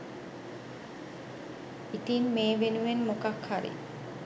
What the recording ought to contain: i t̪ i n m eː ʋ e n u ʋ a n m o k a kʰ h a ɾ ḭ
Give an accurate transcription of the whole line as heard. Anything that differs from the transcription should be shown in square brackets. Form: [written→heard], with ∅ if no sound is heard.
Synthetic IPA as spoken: i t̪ i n m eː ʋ e n u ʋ [a→e] n m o k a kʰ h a ɾ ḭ